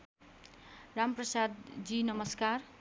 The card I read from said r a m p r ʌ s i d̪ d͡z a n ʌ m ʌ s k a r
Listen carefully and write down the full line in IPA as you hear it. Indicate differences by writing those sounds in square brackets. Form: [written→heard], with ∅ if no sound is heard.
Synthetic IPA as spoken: r a m p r ʌ s [i→a] d̪ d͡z [a→i] n ʌ m ʌ s k a r